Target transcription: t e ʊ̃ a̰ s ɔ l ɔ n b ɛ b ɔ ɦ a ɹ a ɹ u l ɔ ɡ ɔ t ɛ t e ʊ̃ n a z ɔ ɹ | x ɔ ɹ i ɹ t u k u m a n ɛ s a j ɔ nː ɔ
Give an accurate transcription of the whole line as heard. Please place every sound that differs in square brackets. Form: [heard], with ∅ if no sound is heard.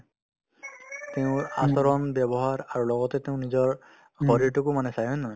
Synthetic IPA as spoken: t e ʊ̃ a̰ s ɔ [ɹ] ɔ n b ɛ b ɔ ɦ a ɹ a ɹ u l ɔ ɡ ɔ t ɛ t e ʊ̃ n [i] z ɔ ɹ | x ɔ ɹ i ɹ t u k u m a n ɛ s a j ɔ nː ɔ